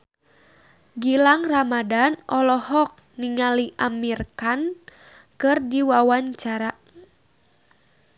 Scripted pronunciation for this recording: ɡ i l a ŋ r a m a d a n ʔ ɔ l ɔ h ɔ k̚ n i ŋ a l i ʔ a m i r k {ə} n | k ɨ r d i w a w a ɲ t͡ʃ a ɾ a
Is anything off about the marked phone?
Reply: yes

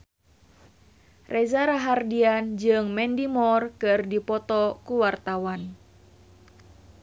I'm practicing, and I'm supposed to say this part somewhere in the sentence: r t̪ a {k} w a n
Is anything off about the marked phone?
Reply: yes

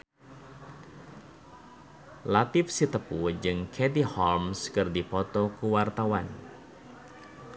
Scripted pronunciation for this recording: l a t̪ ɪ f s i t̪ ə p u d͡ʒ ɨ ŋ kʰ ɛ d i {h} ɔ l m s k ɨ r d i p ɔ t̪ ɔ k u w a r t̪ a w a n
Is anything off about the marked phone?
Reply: no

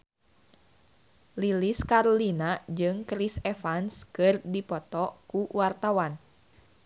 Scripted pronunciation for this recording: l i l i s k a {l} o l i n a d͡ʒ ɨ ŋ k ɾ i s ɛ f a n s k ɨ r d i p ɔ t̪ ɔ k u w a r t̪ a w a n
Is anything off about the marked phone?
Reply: yes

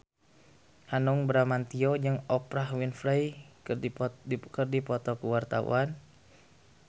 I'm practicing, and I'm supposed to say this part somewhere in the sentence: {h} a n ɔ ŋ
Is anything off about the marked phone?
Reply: no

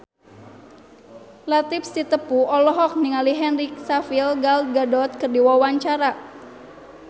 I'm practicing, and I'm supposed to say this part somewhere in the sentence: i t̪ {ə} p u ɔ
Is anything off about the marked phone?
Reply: no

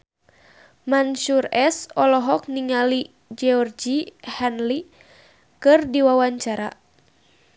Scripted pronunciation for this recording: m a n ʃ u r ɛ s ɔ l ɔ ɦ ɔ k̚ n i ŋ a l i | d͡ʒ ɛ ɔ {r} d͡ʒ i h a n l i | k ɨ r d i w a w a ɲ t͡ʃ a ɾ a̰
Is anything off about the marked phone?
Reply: no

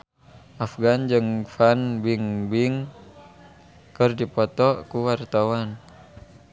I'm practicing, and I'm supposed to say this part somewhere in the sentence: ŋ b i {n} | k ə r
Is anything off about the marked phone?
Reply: yes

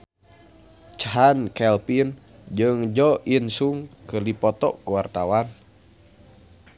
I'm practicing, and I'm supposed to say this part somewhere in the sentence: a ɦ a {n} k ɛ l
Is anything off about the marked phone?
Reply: no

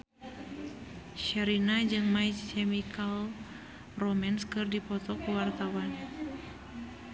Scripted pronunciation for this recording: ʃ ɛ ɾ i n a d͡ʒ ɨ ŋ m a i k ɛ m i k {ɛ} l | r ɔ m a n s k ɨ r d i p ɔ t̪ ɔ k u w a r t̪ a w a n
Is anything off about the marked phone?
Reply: yes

